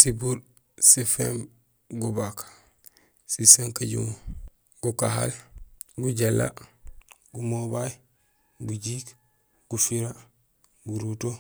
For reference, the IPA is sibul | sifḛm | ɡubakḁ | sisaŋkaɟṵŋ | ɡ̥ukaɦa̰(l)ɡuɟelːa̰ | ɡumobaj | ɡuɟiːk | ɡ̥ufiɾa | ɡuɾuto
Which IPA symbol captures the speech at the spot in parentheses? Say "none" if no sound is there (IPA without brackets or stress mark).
l